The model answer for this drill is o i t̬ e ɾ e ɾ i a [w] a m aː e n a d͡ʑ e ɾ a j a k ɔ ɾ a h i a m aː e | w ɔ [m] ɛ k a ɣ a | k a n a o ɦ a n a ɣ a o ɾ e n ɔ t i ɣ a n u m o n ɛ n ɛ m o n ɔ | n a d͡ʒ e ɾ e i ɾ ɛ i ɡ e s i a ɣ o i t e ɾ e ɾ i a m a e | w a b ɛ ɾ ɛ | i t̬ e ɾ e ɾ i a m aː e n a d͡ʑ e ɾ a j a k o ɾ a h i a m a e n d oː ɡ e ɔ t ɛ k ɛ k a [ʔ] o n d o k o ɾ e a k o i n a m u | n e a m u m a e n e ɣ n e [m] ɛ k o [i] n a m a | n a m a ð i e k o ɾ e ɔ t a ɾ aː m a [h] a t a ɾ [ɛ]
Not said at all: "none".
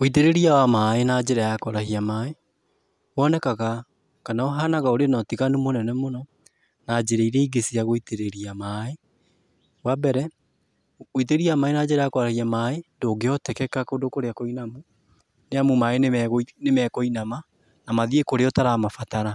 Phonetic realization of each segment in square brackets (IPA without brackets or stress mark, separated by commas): w, n, k, m, i, f, a